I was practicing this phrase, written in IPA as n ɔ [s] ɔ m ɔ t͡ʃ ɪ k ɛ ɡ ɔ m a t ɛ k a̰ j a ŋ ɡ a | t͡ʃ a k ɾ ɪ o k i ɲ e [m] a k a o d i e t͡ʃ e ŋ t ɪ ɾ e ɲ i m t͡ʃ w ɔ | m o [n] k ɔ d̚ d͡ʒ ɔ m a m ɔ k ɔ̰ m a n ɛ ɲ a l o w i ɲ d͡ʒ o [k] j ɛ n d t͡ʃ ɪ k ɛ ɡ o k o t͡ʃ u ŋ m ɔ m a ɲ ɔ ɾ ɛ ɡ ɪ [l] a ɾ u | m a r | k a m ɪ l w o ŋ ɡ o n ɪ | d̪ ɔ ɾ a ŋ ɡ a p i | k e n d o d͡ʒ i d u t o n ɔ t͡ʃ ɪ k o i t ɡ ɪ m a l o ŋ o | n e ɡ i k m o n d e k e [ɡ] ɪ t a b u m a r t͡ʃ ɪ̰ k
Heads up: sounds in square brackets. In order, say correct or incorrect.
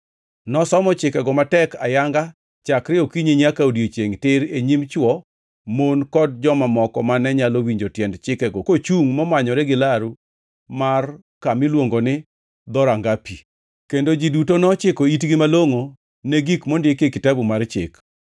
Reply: correct, incorrect, correct, incorrect, correct, incorrect

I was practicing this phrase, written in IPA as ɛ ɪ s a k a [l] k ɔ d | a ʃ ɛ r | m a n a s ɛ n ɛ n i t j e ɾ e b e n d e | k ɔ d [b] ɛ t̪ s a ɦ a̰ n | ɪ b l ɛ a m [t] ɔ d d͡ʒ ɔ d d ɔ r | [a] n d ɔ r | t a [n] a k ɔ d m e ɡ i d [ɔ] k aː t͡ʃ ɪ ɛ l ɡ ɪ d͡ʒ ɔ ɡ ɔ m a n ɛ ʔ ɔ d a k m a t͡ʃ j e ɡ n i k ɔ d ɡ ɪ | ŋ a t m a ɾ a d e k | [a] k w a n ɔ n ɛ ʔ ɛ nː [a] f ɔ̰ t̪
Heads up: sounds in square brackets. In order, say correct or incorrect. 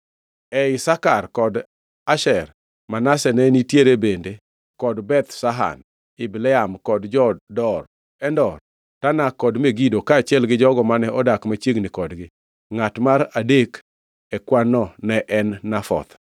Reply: incorrect, correct, incorrect, incorrect, correct, incorrect, incorrect, correct

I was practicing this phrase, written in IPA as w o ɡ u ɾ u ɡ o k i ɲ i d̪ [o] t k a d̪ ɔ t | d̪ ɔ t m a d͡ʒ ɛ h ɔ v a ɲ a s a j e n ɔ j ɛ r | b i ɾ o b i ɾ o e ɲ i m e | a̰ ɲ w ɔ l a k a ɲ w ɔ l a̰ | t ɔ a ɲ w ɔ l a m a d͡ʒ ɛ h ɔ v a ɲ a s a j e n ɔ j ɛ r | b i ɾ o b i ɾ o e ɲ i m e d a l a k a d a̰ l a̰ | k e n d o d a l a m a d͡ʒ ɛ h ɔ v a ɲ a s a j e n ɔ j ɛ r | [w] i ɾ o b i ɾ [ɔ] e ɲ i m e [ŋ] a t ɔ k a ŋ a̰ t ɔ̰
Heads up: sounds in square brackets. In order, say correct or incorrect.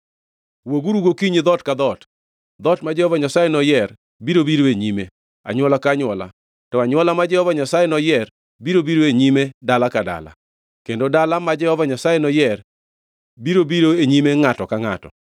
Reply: incorrect, incorrect, incorrect, correct

